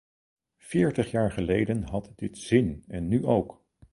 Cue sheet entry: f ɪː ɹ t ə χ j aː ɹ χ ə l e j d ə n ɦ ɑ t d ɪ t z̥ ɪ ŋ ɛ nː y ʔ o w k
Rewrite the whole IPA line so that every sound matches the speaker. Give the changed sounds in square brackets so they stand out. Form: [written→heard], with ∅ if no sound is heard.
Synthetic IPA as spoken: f ɪː ɹ t ə χ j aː ɹ χ ə l e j d ə n ɦ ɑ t d ɪ t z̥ ɪ [ŋ→n] ɛ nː y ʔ o w k